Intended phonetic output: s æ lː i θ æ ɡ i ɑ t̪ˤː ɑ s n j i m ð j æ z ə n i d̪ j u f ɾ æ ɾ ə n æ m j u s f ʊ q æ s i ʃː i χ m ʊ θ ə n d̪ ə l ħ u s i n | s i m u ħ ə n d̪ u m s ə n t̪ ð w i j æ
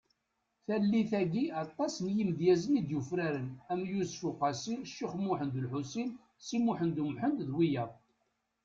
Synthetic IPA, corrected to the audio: θ æ lː i θ æ ɡ i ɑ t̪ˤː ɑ s n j i m ð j æ z ə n i d̪ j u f ɾ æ ɾ ə n æ m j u s f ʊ q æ s i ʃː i χ m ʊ ħ ə n d̪ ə l ħ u s i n | s i m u ħ ə n d̪ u m ħ ə n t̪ ð w i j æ